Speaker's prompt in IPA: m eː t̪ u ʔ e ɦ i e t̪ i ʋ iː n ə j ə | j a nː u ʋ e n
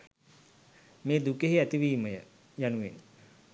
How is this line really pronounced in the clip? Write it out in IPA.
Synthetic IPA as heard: m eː d̪ u k e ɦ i æ t̪ i ʋ iː m ə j ə | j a n u ʋ e n